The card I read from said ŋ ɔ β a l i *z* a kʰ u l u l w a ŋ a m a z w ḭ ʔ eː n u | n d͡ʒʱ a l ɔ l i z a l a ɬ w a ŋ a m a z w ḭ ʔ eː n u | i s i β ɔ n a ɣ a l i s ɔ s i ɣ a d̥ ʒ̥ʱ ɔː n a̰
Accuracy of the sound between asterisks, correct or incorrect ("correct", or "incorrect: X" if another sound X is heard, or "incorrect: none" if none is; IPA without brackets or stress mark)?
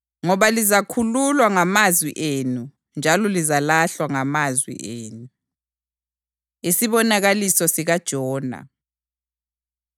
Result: correct